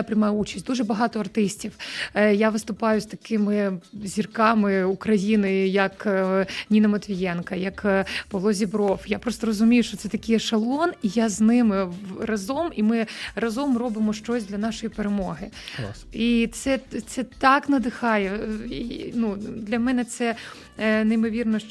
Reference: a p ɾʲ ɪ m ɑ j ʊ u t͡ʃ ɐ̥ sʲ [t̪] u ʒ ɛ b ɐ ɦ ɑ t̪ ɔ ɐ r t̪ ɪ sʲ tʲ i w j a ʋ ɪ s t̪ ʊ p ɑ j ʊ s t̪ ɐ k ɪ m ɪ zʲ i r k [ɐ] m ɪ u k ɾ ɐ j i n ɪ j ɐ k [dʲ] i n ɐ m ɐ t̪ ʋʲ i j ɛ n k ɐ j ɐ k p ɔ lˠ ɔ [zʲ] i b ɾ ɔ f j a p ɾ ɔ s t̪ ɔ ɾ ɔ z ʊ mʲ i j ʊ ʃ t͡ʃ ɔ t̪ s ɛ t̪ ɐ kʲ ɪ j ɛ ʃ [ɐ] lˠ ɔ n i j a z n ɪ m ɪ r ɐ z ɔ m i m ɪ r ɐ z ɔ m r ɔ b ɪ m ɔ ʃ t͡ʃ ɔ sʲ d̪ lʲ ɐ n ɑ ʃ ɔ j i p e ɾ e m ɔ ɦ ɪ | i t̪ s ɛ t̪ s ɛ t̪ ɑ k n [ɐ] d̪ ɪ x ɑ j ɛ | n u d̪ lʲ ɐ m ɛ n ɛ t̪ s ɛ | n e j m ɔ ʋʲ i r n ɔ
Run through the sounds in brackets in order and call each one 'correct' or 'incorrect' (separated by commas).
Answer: incorrect, incorrect, incorrect, correct, correct, correct